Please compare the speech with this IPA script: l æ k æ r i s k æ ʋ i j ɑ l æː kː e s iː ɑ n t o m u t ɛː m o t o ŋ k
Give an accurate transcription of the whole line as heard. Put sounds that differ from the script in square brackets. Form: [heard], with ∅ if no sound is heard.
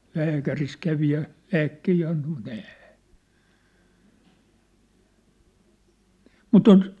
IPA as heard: l [æː] k æ r i s k æ ʋ i j ɑ l æː kː e [h] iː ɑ n t o m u t ɛː m [u] t o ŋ k